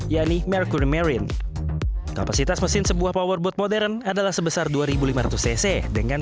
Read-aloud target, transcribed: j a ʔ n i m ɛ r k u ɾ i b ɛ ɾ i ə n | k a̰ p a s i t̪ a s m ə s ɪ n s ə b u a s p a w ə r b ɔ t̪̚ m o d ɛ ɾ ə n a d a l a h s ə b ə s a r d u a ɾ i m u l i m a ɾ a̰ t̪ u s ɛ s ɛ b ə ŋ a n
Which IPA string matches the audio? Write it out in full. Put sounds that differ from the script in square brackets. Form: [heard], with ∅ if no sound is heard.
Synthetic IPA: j a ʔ n i m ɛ r k u ɾ i [m] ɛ ɾ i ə n | k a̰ p a s i t̪ a s m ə s ɪ n s ə b u a [h] p a w ə r b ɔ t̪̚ m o d ɛ ɾ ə n a d a l a h s ə b ə s a r d u a ɾ i [b] u l i m a ɾ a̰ t̪ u s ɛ s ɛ [d] ə ŋ a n